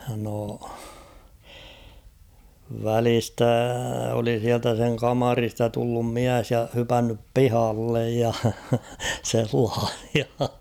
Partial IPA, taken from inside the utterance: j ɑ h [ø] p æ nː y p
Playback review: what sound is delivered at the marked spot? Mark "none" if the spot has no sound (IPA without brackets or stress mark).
y